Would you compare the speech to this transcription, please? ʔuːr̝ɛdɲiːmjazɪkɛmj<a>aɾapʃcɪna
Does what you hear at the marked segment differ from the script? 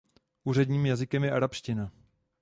yes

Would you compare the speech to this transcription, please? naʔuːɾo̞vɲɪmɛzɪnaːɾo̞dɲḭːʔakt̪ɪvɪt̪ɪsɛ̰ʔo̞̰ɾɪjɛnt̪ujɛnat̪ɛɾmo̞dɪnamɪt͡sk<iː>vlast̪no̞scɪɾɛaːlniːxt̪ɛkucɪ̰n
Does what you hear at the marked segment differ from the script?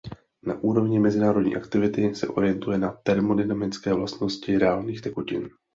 yes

